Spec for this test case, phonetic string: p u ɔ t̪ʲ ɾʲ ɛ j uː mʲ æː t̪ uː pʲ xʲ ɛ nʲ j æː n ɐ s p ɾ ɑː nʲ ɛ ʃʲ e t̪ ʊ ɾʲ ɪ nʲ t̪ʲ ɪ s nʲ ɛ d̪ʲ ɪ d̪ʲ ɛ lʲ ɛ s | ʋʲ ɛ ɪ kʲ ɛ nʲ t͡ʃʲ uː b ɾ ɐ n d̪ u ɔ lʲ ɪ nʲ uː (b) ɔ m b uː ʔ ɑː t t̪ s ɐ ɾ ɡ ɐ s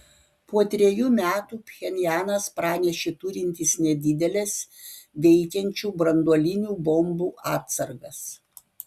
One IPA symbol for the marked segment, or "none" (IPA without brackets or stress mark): b